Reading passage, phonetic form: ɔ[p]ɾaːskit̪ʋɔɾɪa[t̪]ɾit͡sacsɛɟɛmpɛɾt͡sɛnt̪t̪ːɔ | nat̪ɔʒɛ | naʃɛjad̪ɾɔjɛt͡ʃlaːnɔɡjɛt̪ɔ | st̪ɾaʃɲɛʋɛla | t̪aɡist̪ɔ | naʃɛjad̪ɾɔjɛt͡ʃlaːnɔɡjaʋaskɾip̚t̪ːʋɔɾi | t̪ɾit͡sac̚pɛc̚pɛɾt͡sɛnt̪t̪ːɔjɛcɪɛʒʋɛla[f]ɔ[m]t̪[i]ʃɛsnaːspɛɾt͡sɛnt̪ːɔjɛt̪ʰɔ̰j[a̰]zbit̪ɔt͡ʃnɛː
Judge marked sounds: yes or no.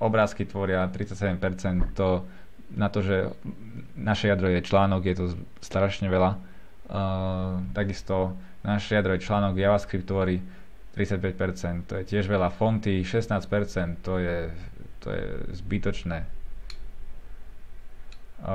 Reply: no, yes, yes, no, yes, no

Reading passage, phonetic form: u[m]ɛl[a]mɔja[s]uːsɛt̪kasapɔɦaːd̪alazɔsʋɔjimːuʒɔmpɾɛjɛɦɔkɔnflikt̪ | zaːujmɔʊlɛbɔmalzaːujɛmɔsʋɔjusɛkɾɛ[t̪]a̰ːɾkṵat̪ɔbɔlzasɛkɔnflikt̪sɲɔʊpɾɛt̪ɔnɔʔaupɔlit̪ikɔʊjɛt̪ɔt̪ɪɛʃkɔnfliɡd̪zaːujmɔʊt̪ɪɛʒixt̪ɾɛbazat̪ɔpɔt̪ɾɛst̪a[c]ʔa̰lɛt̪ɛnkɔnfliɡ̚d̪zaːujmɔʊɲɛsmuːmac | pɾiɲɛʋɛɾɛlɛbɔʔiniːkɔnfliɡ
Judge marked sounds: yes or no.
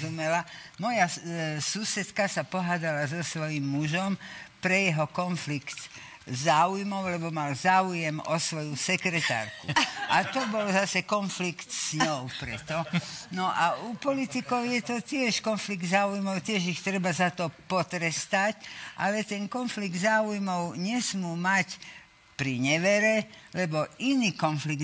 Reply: yes, yes, yes, yes, yes

